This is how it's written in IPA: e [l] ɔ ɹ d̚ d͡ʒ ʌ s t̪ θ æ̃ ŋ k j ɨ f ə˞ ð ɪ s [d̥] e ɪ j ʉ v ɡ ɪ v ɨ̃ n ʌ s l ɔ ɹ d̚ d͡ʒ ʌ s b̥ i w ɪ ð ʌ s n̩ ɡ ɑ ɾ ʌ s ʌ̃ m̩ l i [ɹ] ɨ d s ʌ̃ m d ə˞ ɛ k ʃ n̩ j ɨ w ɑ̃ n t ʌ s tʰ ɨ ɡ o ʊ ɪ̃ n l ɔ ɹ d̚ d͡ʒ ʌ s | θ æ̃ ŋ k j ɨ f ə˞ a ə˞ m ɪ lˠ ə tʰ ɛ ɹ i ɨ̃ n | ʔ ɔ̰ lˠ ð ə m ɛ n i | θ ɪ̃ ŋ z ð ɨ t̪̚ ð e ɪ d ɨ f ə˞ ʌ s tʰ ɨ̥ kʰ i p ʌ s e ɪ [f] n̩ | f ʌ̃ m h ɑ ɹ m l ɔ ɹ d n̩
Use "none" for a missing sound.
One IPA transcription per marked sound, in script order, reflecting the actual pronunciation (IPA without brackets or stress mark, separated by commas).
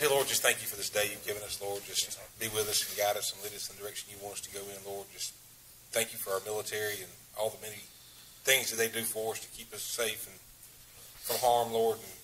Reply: l, d̥, ɾ, f